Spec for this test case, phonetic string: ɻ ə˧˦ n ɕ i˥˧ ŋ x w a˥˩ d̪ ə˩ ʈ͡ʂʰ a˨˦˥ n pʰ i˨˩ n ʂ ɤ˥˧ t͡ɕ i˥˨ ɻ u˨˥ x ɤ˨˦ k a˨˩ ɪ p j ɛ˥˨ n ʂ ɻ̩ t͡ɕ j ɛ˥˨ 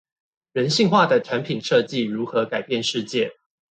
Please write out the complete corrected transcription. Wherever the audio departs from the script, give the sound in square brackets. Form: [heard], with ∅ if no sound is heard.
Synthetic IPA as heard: ɻ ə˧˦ n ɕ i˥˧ ŋ x w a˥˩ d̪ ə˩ ʈ͡ʂʰ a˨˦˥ n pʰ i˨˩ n ʂ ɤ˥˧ t͡ɕ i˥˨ ɻ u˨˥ x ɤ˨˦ k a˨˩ ɪ p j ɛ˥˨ n ʂ ɻ̩ t͡ɕ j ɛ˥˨